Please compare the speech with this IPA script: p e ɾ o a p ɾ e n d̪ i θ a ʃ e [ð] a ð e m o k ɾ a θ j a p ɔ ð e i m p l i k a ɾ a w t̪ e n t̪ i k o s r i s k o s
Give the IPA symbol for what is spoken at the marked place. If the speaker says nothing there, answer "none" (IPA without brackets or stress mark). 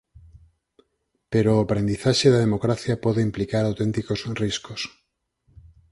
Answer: ð